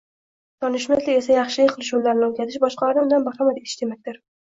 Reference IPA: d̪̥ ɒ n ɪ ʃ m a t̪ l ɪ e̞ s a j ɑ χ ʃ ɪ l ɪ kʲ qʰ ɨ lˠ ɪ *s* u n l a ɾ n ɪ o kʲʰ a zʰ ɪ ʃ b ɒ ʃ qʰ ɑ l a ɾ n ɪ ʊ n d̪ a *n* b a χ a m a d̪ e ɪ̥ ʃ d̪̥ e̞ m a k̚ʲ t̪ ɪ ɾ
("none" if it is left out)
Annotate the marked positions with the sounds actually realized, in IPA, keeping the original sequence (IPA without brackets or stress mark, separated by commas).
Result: ʃ, n